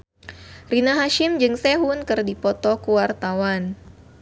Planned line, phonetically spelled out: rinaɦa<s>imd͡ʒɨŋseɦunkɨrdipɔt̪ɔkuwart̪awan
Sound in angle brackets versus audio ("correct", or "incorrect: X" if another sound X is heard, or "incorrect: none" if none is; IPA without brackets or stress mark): incorrect: ʃ